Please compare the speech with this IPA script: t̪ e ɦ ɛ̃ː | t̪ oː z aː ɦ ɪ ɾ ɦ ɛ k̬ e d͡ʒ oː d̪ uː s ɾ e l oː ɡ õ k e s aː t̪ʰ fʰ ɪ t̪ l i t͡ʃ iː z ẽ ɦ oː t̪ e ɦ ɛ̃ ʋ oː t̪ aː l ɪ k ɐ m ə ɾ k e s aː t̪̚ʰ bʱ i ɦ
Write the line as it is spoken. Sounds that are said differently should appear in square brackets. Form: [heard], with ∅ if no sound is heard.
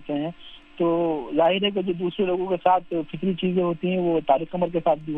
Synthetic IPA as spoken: t̪ e ɦ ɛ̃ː | t̪ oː z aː ɦ ɪ ɾ ɦ ɛ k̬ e d͡ʒ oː d̪ uː s ɾ e l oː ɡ õ k e s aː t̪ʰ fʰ ɪ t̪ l i t͡ʃ iː z ẽ ɦ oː t̪ [i] ɦ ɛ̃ ʋ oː t̪ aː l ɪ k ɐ m ə ɾ k e s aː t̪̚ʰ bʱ i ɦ